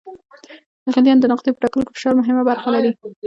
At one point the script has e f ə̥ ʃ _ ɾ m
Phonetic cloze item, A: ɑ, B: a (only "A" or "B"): A